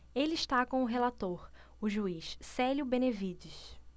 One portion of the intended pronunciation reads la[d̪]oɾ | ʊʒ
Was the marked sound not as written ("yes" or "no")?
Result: yes